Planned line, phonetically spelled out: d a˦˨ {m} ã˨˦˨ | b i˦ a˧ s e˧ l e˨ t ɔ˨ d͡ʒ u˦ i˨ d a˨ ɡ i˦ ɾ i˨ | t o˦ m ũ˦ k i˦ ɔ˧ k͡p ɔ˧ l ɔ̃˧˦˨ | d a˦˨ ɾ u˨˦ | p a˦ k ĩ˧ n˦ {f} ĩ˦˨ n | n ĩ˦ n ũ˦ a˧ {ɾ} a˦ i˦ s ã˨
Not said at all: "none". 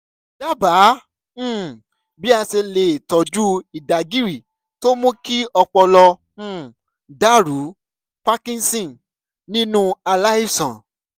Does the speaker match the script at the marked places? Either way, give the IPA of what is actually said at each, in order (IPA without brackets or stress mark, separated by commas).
b, s, l